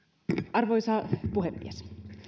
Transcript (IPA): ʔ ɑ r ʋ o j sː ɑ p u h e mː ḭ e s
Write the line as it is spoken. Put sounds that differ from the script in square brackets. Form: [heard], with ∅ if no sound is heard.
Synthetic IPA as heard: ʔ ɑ r ʋ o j [s] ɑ p u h e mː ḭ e s